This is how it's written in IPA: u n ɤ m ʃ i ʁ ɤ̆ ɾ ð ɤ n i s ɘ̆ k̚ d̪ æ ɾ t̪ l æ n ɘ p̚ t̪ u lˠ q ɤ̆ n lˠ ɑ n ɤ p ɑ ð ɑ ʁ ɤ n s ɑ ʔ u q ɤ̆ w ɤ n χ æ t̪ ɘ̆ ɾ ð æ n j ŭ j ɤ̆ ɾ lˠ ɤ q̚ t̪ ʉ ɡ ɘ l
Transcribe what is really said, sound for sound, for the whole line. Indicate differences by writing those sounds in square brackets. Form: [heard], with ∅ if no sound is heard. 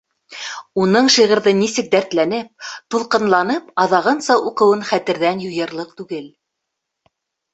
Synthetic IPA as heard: u n ɤ [ɴ] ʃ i ʁ ɤ̆ ɾ ð ɤ n i s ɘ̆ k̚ d̪ æ ɾ t̪ l æ n ɘ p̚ t̪ u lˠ q ɤ̆ n lˠ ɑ n ɤ p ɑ ð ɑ ʁ ɤ n s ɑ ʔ u q ɤ̆ w ɤ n χ æ t̪ ɘ̆ ɾ ð æ n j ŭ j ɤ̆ ɾ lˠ ɤ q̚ t̪ ʉ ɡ ɘ l

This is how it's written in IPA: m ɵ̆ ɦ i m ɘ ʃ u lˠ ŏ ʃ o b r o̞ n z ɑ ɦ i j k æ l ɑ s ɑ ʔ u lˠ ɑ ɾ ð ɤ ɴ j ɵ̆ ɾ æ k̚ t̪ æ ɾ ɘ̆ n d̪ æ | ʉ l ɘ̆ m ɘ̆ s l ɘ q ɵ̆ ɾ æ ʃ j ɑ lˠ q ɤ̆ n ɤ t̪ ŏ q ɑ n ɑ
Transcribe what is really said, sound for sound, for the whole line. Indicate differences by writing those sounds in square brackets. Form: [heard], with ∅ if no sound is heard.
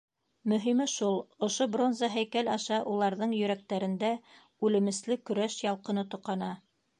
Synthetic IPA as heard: m ɵ̆ ɦ i m ɘ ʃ u lˠ ŏ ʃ o b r o̞ n z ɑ ɦ [æ] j k æ l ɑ [ʃ] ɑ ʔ u lˠ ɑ ɾ ð ɤ ɴ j ɵ̆ ɾ æ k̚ t̪ æ ɾ ɘ̆ n d̪ æ | ʉ l ɘ̆ m ɘ̆ s l ɘ [k] ɵ̆ ɾ æ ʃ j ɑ lˠ q ɤ̆ n ɤ t̪ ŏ q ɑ n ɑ

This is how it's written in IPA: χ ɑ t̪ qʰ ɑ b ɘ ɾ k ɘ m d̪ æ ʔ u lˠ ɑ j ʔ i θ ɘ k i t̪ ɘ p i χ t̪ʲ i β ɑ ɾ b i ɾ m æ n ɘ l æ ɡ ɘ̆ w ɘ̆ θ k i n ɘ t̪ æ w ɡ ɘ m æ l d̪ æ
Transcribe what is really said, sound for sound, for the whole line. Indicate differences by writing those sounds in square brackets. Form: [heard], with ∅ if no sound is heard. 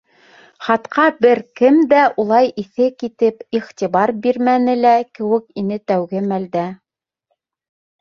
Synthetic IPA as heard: χ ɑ t̪ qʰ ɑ b ɘ ɾ k ɘ m d̪ æ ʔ u lˠ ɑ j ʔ i θ ɘ k i t̪ ɘ p i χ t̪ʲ i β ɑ ɾ b i ɾ m æ n ɘ l æ [k] ɘ̆ w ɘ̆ [∅] k i n ɘ t̪ æ w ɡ ɘ m æ l d̪ æ

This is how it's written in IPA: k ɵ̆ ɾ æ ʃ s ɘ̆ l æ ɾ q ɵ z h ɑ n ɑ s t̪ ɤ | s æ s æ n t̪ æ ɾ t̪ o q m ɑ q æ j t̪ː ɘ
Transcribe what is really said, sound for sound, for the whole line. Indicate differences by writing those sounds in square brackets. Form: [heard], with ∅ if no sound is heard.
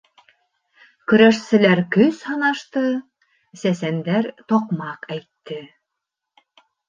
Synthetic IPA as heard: k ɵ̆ ɾ æ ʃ s ɘ̆ l æ ɾ [k] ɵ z h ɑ n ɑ [ʃ] t̪ ɤ | s æ s æ n [d̪] æ ɾ t̪ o q m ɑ q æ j t̪ː ɘ

